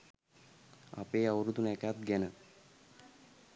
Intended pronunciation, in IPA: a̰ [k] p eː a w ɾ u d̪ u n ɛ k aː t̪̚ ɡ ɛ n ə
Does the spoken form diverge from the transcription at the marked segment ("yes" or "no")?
yes